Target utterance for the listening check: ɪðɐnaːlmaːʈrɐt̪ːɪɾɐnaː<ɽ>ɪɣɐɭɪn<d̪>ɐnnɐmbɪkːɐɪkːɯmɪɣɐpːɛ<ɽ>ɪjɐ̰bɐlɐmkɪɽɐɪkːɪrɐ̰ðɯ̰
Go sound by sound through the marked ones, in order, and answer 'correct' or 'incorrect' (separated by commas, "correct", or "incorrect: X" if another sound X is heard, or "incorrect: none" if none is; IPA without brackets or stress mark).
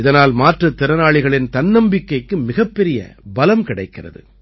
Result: incorrect: ɭ, incorrect: t̪, incorrect: ɾ